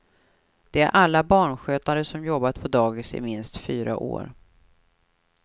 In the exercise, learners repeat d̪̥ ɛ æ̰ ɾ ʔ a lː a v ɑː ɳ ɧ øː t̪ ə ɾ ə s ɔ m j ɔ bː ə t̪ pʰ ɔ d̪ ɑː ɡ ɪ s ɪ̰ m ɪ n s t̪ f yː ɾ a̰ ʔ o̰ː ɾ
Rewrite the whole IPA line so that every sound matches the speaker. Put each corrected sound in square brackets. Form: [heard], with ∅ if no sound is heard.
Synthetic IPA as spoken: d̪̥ ɛ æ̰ ɾ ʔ a lː a [b] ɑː ɳ ɧ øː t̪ [a] ɾ ə s ɔ m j ɔ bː [a] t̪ pʰ ɔ d̪ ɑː ɡ ɪ s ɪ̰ m ɪ n s t̪ f yː ɾ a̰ ʔ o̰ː ɾ